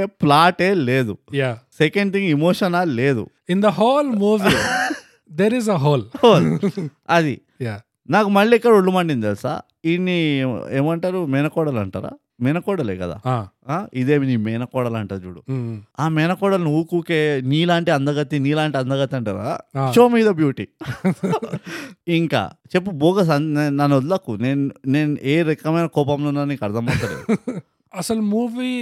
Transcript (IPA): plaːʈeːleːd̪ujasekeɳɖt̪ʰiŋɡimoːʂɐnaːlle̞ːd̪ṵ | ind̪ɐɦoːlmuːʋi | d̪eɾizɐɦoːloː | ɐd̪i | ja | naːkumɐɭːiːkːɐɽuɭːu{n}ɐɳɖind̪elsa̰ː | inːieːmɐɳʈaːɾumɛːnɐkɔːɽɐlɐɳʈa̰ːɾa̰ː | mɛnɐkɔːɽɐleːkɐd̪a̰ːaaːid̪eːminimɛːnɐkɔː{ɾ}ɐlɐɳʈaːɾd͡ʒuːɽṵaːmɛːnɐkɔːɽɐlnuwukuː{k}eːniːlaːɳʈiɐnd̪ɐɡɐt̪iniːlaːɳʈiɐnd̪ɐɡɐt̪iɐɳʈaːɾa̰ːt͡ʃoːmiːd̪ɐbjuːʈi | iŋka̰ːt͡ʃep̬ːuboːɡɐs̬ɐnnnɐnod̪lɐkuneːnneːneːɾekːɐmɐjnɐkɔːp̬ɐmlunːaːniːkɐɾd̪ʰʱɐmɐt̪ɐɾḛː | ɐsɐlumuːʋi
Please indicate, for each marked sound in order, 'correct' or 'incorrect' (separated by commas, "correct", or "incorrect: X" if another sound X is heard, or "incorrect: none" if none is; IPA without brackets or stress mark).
incorrect: m, incorrect: ɽ, correct